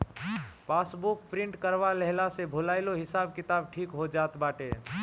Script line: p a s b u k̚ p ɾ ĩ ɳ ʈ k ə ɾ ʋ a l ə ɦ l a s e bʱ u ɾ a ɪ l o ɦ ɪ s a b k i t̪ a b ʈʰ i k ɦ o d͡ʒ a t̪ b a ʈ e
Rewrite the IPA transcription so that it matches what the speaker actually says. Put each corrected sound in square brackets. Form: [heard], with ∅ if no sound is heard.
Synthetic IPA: p a s b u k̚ p ɾ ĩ ɳ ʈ k ə ɾ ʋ a l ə ɦ l a s e bʱ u [l] a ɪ l o ɦ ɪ s a b k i t̪ a b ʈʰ i k ɦ o d͡ʒ a t̪ b a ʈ e